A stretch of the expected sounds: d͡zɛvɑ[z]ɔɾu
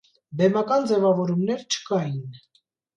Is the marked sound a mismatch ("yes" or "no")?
yes